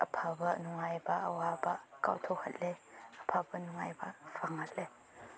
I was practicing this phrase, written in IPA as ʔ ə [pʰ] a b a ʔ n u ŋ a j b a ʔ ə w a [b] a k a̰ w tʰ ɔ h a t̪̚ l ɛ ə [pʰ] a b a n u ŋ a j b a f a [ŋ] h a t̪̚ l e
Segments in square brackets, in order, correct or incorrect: correct, correct, correct, correct

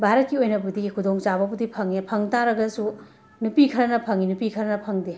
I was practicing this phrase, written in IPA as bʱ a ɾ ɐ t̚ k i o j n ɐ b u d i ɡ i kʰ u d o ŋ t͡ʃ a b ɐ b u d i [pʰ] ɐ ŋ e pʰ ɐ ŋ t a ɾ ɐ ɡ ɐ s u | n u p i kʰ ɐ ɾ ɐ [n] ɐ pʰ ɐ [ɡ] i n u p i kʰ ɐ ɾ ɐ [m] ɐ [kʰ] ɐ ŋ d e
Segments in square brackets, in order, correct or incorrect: correct, correct, incorrect: ŋ, incorrect: n, incorrect: pʰ

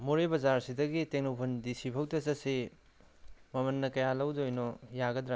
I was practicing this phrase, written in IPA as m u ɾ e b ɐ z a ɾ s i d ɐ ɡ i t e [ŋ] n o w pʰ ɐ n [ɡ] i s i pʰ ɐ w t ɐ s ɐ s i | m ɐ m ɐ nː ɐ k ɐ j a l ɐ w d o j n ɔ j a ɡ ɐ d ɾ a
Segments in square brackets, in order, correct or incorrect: correct, incorrect: d

